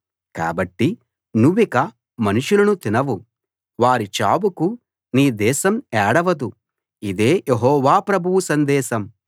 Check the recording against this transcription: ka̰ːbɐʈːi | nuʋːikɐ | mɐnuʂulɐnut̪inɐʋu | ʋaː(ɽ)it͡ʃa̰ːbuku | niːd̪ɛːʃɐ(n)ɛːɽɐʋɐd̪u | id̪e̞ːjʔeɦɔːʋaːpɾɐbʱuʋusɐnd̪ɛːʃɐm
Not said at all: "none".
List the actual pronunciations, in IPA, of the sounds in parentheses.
ɾ, m

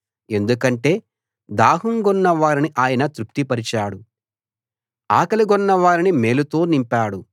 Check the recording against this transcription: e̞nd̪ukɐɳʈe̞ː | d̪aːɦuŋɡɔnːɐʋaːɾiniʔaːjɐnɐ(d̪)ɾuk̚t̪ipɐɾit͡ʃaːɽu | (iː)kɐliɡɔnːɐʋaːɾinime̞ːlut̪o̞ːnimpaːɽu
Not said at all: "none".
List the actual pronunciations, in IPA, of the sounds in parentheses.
t̪, aː

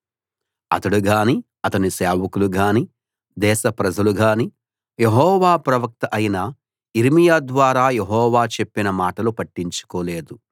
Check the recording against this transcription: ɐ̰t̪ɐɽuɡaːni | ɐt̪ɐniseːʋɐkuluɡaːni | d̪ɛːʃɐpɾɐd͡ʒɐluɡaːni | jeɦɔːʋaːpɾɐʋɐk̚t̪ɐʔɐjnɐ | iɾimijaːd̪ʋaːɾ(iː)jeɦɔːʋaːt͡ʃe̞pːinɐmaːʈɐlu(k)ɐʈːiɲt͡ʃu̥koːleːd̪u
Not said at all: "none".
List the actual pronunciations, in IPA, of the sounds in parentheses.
aː, p

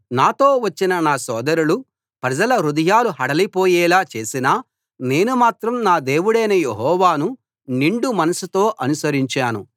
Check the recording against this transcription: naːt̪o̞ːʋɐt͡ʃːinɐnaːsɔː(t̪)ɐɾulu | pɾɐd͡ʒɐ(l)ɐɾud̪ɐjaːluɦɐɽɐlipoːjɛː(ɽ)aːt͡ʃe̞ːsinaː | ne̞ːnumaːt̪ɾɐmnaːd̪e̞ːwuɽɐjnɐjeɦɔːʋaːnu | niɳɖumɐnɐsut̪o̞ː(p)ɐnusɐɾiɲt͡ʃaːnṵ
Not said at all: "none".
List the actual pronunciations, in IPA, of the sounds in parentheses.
d̪, l, l, ʔ

